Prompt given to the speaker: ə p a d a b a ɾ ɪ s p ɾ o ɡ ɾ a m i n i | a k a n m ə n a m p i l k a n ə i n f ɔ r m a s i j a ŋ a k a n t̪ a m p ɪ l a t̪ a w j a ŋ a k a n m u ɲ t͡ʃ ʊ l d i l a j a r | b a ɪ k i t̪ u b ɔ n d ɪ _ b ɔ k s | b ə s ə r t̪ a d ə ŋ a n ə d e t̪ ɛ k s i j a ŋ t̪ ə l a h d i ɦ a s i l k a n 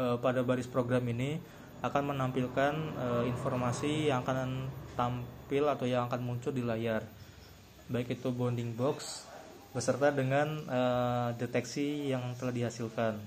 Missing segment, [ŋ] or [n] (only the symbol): ŋ